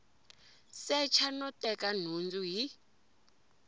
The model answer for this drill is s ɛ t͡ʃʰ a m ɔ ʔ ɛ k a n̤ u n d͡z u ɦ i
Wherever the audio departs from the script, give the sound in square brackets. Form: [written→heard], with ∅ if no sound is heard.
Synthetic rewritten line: s ɛ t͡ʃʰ a [m→n] ɔ [ʔ→t] ɛ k a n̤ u n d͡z u ɦ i